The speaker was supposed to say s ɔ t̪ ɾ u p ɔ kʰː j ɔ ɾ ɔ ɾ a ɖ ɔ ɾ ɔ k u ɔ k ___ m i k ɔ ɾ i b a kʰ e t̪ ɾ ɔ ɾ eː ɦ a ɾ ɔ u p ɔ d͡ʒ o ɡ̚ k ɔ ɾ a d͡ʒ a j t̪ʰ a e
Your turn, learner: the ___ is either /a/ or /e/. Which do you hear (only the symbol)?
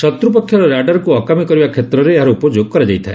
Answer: a